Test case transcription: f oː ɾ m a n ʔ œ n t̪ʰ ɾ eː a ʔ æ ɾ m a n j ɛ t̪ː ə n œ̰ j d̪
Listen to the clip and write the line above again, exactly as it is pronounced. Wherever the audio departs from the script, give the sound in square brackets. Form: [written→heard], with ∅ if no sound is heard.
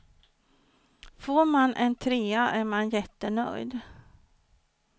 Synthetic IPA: f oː ɾ m a n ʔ [œ→ɛ] n t̪ʰ ɾ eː a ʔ æ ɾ m a n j ɛ t̪ː ə n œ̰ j d̪